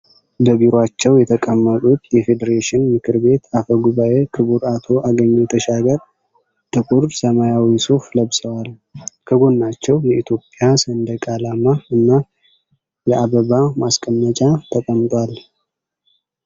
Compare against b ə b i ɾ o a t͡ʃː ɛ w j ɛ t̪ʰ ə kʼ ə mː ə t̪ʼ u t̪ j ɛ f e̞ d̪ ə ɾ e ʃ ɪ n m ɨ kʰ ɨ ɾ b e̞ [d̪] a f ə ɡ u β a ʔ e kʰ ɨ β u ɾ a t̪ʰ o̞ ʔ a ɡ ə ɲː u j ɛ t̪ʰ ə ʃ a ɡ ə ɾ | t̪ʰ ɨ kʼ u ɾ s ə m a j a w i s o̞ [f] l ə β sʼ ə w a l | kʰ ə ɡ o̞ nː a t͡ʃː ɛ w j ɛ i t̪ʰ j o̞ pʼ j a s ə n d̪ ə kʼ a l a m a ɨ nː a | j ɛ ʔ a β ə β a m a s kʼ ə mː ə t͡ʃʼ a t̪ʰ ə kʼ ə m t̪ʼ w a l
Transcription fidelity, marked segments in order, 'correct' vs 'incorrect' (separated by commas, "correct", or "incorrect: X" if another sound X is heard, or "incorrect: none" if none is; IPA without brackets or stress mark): incorrect: t̪, correct